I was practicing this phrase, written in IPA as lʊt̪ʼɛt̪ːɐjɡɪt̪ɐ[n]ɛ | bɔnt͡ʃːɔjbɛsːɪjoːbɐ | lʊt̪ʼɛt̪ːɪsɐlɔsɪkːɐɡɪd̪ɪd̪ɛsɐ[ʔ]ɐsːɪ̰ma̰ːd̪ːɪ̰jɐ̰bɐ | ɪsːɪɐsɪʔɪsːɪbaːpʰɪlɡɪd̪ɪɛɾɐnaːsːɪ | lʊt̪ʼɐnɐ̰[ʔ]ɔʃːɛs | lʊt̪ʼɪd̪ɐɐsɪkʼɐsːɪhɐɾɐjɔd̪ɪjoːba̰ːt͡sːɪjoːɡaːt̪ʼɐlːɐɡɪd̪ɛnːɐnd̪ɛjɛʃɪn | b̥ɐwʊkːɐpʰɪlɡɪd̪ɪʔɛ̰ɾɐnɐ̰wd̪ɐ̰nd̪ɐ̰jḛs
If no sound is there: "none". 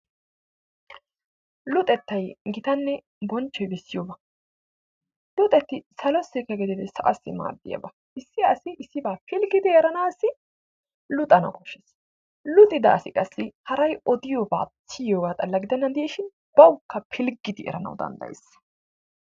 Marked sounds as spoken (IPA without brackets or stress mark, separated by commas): nː, ʔ, k